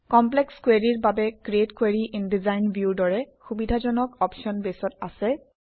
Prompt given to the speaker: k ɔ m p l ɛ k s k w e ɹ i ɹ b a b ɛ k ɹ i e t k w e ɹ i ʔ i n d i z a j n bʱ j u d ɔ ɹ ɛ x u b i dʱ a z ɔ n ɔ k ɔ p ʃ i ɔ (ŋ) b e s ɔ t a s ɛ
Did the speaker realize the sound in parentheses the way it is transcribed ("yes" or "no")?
no